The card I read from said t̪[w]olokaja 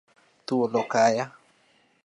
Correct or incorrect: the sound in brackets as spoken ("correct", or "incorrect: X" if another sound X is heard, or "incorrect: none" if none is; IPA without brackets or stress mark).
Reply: incorrect: u